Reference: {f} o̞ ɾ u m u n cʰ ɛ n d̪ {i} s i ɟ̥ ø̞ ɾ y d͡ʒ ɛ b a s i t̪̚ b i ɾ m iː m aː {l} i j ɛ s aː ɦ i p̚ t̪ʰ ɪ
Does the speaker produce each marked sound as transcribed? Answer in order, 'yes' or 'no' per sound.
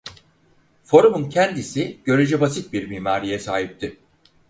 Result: yes, yes, no

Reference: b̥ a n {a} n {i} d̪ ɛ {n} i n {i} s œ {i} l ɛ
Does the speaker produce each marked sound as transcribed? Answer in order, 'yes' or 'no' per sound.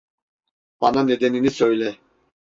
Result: yes, no, yes, yes, no

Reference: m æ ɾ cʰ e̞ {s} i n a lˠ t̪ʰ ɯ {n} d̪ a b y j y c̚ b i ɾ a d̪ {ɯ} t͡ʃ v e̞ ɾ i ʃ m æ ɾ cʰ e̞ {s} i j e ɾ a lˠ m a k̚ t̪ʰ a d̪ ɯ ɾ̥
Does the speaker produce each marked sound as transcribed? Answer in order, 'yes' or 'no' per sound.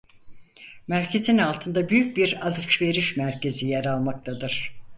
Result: no, yes, yes, no

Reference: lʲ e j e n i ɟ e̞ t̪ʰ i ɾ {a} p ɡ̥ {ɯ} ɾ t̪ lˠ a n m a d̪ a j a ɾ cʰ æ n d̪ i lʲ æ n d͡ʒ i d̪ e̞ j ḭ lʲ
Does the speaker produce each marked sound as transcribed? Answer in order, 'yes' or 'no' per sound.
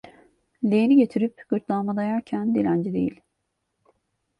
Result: no, yes

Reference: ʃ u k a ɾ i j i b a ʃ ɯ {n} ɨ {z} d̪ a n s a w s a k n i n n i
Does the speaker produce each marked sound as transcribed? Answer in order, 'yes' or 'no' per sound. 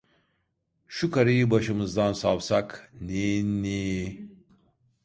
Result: no, yes

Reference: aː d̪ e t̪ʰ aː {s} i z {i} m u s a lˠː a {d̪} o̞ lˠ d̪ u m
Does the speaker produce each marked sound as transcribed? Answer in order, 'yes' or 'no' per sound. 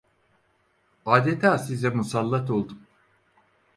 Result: yes, no, no

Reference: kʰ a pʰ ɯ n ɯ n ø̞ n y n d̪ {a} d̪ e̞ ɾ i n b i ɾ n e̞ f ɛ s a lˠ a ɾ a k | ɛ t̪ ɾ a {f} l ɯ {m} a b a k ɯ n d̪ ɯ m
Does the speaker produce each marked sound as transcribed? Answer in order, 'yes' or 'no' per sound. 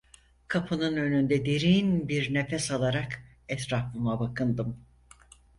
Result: no, yes, yes

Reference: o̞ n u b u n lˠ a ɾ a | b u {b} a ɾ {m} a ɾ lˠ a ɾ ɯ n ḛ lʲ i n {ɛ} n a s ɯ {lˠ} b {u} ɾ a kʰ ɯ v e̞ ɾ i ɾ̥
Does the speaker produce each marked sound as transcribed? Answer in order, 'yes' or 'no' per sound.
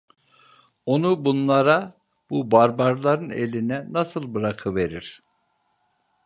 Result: yes, no, yes, yes, no

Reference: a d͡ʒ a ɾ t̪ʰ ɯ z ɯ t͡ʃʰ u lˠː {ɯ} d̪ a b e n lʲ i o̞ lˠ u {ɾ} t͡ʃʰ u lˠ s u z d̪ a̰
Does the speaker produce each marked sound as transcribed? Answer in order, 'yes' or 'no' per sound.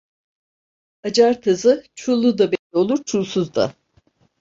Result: no, yes

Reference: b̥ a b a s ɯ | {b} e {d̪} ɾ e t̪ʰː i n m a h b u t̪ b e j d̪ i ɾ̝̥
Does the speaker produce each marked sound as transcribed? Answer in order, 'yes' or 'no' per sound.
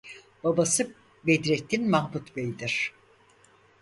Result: yes, yes

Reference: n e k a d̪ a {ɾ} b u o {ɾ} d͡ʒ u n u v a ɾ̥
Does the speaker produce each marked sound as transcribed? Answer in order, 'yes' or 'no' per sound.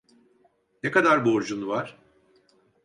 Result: yes, yes

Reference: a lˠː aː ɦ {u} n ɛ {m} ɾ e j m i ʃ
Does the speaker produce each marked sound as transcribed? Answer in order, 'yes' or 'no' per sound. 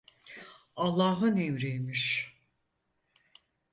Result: no, yes

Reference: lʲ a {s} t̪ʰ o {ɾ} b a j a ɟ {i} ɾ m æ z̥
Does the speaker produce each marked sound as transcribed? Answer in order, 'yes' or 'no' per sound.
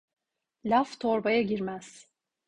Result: no, yes, yes

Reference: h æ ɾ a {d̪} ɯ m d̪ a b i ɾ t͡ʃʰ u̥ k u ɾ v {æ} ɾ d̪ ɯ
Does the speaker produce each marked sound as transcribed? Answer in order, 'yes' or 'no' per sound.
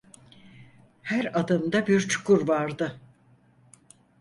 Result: yes, no

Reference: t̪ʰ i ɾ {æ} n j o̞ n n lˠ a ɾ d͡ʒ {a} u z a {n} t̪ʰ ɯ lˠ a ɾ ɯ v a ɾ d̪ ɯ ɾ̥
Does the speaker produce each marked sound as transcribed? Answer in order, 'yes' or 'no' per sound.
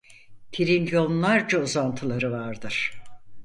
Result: no, yes, yes

